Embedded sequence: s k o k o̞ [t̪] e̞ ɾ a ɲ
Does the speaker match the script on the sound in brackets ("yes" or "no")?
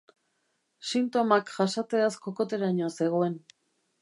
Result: yes